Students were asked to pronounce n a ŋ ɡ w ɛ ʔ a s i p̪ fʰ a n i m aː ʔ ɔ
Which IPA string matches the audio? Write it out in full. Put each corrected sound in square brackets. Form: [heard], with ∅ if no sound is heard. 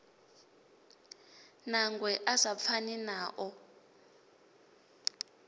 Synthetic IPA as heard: n a ŋ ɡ w ɛ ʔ a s [a] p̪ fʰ a n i [n] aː ʔ ɔ